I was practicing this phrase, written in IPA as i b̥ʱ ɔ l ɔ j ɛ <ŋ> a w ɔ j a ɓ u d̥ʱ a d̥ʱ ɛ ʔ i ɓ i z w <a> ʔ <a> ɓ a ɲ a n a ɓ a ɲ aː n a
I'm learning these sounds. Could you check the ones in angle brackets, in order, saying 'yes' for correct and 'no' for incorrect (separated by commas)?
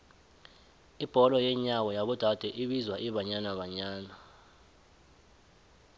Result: no, yes, no